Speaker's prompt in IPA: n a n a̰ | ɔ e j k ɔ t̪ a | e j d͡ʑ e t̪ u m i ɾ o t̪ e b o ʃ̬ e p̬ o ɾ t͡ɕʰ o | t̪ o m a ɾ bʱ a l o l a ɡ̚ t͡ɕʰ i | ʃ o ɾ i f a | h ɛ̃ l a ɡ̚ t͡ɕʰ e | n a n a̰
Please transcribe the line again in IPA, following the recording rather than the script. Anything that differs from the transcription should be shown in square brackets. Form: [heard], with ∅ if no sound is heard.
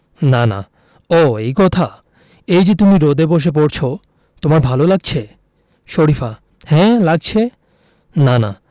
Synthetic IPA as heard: n a n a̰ | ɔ e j k ɔ [t̪ʰ] a | e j d͡ʑ e t̪ u m i ɾ o [d̪] e b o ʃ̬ e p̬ o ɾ t͡ɕʰ o | t̪ o m a ɾ bʱ a l o l a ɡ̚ t͡ɕʰ [e] | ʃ o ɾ i f a | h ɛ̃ l a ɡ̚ t͡ɕʰ e | n a n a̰

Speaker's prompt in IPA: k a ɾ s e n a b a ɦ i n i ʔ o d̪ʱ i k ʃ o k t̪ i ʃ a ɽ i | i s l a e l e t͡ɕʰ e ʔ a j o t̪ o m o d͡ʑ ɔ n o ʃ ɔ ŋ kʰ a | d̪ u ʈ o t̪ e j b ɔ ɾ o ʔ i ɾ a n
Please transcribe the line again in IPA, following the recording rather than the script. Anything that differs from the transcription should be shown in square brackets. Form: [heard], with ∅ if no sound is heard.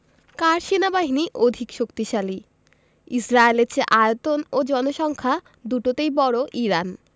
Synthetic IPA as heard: k a ɾ [ʃ] e n a b a ɦ i n i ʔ o d̪ʱ i k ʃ o k t̪ i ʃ a [l] i | i s [ɾ] a e l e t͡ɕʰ e ʔ a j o t̪ o [n] o d͡ʑ ɔ n o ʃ ɔ ŋ kʰ a | d̪ u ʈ o t̪ e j b ɔ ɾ o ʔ i ɾ a n

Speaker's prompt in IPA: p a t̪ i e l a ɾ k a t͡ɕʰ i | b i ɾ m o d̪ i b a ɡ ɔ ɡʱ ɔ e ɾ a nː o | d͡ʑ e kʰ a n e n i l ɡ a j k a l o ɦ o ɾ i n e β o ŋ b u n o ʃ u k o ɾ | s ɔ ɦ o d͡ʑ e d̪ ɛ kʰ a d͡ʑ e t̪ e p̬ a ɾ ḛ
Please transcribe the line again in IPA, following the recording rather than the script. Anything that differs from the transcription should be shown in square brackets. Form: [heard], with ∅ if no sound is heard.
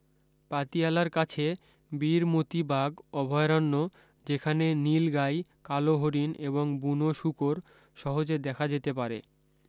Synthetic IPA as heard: p a t̪ i [a] l a ɾ k a t͡ɕʰ [e] | b i ɾ m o [t̪] i b a ɡ ɔ [bʱ] ɔ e ɾ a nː o | d͡ʑ e kʰ a n e n i l ɡ a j k a l o ɦ o ɾ i n e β o ŋ b u n o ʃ u k o ɾ | [ʃ] ɔ ɦ o d͡ʑ e d̪ ɛ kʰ a d͡ʑ e t̪ e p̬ a ɾ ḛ

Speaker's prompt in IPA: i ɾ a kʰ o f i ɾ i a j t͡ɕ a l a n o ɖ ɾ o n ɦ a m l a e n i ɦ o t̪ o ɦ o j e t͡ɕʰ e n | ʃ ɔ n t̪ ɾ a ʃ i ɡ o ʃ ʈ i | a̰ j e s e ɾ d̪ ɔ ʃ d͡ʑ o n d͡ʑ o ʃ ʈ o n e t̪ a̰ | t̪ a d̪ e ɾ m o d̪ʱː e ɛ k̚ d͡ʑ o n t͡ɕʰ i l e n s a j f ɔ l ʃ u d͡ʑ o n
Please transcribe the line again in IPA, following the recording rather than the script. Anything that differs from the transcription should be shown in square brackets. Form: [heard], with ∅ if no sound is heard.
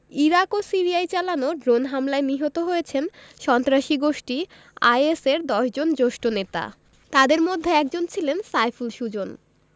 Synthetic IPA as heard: i ɾ a [k] o [s] i ɾ i a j t͡ɕ a l a n o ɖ ɾ o n ɦ a m l a e n i ɦ o t̪ o ɦ o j e t͡ɕʰ e n | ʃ ɔ n t̪ ɾ a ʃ i ɡ o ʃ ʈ i | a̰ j e s e ɾ d̪ ɔ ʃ d͡ʑ o n d͡ʑ o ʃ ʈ o n e t̪ a̰ | t̪ a d̪ e ɾ m o d̪ʱː e ɛ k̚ d͡ʑ o n t͡ɕʰ i l e n s a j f [u] l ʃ u d͡ʑ o n

